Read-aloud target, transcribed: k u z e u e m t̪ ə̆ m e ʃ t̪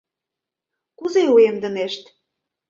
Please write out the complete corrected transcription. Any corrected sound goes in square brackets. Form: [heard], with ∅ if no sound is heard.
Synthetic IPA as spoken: k u z e u e m [d̪] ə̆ [n] e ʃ t̪

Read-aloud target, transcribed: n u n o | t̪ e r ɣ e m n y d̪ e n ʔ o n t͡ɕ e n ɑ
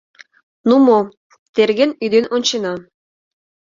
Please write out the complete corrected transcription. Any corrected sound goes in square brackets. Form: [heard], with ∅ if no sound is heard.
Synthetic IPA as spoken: n u [m] o | t̪ e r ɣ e [∅] n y d̪ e n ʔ o n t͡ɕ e n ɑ

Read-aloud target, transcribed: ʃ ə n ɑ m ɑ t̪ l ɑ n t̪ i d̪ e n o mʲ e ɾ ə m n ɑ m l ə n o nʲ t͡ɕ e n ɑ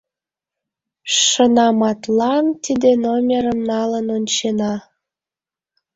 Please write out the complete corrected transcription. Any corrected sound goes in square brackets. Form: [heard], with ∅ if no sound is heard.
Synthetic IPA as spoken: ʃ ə n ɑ m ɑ t̪ l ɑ n t̪ i d̪ e n o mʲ e ɾ ə m n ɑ [∅] l ə n o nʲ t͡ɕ e n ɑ

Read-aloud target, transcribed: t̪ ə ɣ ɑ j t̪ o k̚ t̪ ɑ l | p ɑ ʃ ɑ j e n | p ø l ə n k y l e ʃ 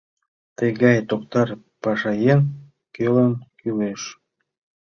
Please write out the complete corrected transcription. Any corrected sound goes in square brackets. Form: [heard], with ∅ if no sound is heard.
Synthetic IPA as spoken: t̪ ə ɣ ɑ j t̪ o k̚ t̪ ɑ [r] | p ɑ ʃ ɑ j e n | [k] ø l ə n k y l e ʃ

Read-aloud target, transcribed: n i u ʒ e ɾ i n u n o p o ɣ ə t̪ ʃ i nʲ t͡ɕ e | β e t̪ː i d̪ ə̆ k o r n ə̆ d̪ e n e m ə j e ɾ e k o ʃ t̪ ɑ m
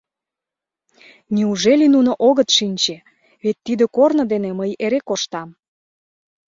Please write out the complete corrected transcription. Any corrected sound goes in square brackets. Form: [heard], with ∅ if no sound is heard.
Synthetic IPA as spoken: n i u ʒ e [l] i n u n o [ʔ] o ɣ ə t̪ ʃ i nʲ t͡ɕ e | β e t̪ː i d̪ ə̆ k o r n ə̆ d̪ e n e m ə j e ɾ e k o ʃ t̪ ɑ m

